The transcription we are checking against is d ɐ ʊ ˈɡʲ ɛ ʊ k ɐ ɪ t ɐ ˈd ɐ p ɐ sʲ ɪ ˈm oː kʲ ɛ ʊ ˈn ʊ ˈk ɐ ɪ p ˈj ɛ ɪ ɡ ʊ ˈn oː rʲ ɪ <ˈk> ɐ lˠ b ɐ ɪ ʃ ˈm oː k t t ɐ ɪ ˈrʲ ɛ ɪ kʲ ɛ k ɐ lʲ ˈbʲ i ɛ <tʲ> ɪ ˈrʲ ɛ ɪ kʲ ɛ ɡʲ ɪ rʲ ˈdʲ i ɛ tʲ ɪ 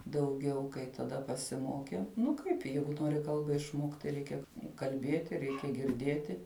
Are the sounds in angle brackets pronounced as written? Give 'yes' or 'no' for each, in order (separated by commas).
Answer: yes, yes